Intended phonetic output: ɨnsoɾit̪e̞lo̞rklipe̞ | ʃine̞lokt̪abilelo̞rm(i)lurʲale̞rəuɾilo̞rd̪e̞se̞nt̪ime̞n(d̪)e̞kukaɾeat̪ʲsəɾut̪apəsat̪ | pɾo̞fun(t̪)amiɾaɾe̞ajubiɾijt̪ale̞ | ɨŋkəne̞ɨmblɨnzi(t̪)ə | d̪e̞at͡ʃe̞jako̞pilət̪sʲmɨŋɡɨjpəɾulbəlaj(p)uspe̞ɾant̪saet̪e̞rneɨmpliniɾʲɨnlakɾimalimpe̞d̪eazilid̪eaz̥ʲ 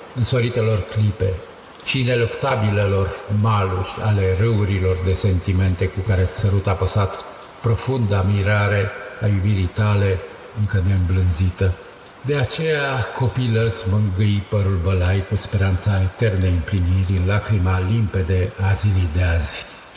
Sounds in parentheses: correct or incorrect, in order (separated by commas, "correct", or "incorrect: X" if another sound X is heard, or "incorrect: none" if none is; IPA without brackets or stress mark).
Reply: incorrect: a, incorrect: t̪, incorrect: d̪, correct, incorrect: k